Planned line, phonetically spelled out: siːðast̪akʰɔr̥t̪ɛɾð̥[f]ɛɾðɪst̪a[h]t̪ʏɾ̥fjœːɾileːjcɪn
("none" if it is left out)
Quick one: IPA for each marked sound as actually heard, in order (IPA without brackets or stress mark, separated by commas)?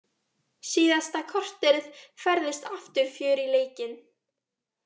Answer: f, f